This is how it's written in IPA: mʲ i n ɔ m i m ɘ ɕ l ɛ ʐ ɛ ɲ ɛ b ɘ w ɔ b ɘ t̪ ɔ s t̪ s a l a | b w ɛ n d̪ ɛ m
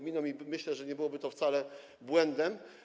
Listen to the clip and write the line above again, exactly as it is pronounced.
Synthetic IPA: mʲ i n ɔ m i m ɘ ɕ l ɛ ʐ ɛ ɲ ɛ b ɘ w ɔ b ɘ t̪ ɔ f t̪ s a l ɛ | b w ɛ n d̪ ɛ m